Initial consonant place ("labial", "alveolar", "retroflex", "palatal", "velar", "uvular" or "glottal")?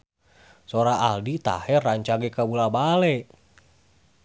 alveolar